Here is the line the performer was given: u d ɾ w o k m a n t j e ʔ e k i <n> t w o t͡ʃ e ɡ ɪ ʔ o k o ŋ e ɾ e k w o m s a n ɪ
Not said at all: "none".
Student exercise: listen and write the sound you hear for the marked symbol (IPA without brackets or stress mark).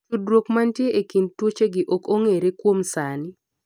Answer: n